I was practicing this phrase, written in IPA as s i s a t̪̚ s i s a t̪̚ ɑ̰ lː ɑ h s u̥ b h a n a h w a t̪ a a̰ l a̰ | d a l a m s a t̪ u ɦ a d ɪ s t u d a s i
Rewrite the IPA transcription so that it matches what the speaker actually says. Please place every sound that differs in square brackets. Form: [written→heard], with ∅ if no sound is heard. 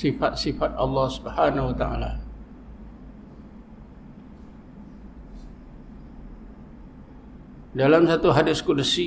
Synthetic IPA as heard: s i [s→f] a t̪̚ s i [s→f] a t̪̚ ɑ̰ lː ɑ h s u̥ b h a n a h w a t̪ a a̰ l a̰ | d a l a m s a t̪ u ɦ a d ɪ s [t→k] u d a s i